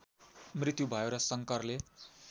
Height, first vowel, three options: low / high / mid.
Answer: high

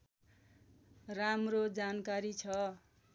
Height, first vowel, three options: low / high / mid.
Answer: low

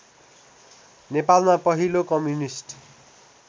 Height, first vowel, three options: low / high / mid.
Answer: mid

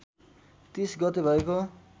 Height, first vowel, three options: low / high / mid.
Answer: high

